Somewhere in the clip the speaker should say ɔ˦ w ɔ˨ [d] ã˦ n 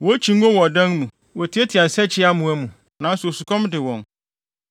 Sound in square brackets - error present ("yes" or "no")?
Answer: no